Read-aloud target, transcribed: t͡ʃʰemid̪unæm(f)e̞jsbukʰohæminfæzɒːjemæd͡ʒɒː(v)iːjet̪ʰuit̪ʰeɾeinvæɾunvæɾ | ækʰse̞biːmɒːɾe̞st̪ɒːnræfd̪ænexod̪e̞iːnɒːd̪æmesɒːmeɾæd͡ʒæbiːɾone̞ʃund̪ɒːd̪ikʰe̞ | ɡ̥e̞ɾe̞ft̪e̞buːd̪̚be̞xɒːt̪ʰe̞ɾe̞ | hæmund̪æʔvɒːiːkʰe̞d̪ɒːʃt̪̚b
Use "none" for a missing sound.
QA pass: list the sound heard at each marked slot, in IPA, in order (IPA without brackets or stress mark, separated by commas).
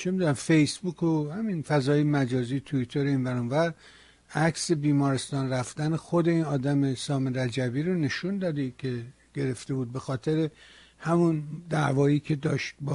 f, z